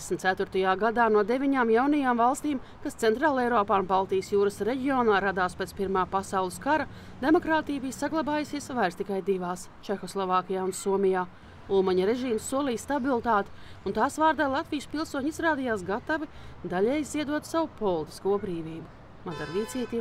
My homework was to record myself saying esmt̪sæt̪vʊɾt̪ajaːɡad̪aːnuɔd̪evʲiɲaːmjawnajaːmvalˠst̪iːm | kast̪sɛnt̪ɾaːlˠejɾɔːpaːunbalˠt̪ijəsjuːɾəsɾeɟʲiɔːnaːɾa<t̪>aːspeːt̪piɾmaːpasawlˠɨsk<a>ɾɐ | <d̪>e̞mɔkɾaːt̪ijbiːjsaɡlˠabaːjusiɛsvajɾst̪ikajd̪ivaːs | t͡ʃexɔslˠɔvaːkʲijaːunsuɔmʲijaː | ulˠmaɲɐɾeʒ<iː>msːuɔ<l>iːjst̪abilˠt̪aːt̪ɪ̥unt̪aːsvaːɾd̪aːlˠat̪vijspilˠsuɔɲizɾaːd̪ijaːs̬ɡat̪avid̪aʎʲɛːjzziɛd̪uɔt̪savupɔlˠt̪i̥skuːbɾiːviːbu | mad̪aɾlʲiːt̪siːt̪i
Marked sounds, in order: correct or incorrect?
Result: incorrect: d̪, correct, correct, correct, correct

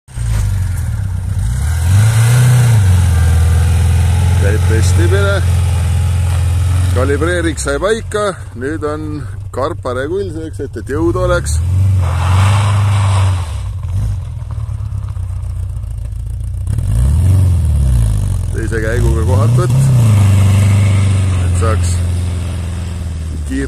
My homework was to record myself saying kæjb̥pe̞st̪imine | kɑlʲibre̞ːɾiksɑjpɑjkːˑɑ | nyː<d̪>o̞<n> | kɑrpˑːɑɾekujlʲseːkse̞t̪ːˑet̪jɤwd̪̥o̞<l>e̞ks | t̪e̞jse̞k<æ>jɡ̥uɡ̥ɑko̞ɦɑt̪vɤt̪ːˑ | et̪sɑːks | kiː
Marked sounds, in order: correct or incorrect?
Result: correct, correct, correct, correct

